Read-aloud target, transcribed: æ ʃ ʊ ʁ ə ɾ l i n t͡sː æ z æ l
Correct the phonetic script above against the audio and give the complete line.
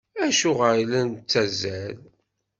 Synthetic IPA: æ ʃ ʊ ʁ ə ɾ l æ n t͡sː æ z æ l